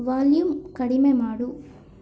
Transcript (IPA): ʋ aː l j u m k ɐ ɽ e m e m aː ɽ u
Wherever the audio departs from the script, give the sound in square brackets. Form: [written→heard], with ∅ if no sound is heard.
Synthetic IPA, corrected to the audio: ʋ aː l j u m k ɐ ɽ [e→i] m e m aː ɽ u